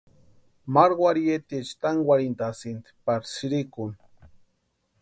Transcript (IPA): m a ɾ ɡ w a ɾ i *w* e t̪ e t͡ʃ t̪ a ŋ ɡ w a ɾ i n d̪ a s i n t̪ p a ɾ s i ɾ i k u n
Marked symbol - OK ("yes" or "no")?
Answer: no